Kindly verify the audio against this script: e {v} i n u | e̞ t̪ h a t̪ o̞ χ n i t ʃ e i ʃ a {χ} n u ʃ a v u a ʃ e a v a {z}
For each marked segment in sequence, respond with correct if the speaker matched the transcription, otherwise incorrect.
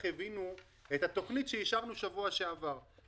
correct, incorrect: ʁ, incorrect: ʁ

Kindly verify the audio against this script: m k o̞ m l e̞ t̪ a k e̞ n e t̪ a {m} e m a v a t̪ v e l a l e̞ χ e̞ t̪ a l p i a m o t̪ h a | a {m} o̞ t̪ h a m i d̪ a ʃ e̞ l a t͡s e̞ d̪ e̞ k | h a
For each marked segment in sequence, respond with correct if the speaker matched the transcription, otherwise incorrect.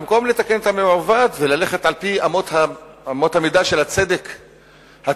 correct, correct

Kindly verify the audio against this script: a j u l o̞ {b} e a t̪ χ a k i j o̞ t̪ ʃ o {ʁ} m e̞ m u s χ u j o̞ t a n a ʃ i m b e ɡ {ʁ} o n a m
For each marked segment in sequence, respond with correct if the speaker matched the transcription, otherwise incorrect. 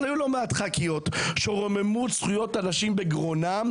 incorrect: m, correct, correct

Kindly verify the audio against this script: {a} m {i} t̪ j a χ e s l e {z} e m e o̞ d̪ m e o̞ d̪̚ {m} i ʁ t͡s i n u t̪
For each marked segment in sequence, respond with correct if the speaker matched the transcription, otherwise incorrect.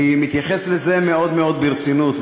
incorrect: i, correct, correct, incorrect: b

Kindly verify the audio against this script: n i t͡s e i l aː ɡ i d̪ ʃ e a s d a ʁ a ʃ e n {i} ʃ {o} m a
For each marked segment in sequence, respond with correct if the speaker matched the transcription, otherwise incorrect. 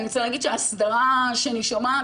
correct, correct

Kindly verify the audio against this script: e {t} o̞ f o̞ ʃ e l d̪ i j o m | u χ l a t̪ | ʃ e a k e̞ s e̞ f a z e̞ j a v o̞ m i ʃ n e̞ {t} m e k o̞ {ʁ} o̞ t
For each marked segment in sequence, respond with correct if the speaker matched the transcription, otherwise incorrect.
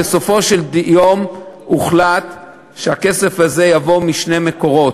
incorrect: s, incorrect: none, correct

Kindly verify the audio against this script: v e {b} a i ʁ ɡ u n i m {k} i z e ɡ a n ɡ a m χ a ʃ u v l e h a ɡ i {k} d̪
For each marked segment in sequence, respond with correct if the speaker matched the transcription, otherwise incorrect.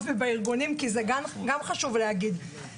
correct, correct, incorrect: none

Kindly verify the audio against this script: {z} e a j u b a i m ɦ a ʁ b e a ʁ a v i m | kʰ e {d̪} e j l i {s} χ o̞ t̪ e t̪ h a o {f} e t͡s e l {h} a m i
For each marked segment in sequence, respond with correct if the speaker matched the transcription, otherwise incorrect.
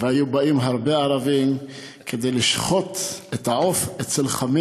incorrect: v, correct, incorrect: ʃ, correct, incorrect: χ

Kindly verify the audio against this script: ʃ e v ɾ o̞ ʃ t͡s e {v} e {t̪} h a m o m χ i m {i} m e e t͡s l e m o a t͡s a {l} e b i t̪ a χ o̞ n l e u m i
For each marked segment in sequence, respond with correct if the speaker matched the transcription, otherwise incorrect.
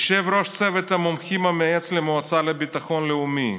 correct, correct, incorrect: a, correct

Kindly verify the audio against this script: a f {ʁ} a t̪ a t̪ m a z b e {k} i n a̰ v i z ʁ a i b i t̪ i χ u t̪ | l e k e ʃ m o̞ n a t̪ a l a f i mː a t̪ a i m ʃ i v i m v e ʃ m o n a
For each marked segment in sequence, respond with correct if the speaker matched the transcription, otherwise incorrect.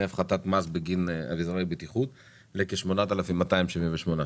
incorrect: χ, incorrect: ɡ

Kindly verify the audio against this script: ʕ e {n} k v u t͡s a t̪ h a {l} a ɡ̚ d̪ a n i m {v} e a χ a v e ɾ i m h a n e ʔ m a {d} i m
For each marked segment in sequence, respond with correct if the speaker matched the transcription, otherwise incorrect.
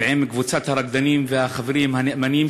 incorrect: m, incorrect: ɾ, correct, incorrect: n

